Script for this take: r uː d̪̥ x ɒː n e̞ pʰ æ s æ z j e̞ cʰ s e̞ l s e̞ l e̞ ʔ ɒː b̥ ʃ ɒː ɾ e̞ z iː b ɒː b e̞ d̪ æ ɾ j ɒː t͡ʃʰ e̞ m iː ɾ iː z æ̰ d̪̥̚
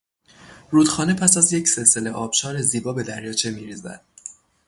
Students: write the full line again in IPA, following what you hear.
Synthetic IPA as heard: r uː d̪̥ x ɒː n e̞ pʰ æ s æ z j e̞ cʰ s e̞ l s e̞ l e̞ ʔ ɒː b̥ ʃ ɒː ɾ e̞ z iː b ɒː b e̞ d̪ æ ɾ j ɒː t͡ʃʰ e̞ m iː ɾ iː z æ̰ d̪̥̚